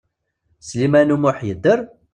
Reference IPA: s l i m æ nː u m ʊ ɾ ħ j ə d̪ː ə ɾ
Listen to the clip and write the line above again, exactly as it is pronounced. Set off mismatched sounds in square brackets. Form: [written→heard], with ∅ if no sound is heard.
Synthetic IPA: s l i m æ [nː→n] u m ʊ [ɾ→∅] ħ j ə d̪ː ə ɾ